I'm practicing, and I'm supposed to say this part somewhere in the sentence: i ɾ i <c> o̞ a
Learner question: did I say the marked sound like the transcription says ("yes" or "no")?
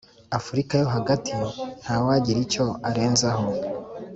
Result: yes